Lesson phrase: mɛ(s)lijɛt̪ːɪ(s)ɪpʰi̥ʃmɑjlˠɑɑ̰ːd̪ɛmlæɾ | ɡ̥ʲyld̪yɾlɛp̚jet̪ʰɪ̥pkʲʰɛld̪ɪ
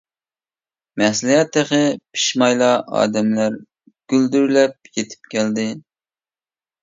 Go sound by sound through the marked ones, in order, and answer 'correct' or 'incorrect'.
correct, incorrect: χ

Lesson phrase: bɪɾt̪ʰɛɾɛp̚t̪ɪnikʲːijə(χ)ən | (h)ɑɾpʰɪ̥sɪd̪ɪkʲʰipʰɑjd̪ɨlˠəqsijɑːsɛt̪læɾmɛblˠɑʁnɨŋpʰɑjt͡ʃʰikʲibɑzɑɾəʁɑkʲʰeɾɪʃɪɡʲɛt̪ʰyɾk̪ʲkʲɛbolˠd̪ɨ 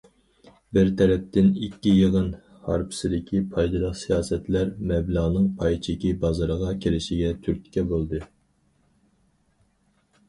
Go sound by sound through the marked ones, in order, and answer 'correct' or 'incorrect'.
incorrect: ʁ, correct

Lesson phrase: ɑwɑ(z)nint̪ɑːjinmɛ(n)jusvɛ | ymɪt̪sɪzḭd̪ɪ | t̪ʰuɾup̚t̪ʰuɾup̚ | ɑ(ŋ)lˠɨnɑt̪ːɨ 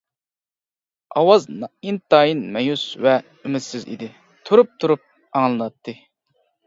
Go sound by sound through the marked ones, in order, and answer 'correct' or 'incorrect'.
correct, incorrect: none, correct

